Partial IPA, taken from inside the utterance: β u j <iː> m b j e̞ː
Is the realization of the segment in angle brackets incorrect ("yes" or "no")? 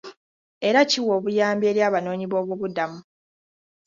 yes